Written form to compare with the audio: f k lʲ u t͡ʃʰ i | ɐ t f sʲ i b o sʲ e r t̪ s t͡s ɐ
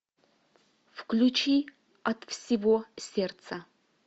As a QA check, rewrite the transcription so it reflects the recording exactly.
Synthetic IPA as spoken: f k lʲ u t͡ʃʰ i | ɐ t f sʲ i v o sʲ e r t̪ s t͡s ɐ